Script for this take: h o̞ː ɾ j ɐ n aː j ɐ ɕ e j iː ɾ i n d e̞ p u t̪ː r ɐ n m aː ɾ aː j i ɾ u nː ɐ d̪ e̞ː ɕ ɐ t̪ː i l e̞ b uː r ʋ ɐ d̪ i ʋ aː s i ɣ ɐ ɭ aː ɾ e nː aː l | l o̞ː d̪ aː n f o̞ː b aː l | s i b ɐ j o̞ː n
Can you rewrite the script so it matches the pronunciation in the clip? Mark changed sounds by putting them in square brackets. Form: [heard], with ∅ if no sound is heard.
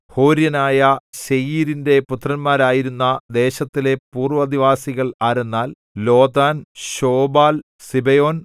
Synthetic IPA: h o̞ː ɾ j ɐ n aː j ɐ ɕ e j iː ɾ i n d e̞ p u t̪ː r ɐ n m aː ɾ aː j i ɾ u nː ɐ d̪ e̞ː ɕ ɐ t̪ː i l e̞ [p] uː r ʋ ɐ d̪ i ʋ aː s i ɣ ɐ ɭ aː ɾ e nː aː l | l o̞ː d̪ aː n [ɕ] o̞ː b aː l | s i b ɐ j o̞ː n